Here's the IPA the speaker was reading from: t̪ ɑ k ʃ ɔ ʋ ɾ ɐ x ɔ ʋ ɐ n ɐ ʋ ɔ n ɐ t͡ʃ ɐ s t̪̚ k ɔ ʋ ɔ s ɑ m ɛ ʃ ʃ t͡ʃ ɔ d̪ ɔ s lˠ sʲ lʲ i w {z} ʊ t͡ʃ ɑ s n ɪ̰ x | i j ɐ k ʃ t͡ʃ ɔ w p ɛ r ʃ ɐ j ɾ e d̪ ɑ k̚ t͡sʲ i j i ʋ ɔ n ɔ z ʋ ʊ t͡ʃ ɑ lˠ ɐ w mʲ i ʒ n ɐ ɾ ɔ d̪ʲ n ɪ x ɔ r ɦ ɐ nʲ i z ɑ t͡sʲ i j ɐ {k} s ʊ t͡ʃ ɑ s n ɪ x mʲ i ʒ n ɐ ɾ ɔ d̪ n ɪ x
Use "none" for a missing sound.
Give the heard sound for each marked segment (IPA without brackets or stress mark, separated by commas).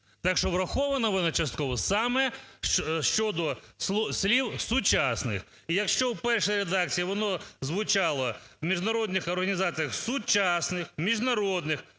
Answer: s, x